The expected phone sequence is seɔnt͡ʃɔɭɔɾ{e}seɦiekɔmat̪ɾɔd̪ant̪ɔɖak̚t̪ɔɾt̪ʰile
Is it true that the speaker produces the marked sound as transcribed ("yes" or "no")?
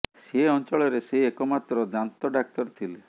yes